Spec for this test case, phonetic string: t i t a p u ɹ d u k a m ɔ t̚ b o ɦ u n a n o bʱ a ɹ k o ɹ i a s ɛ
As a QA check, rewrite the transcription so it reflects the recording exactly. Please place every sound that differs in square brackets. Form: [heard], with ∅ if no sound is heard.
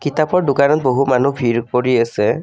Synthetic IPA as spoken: [k] i t a p [ɔ] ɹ d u k a [n] ɔ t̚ b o ɦ u [m] a n [u] bʱ [i] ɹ k o ɹ i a s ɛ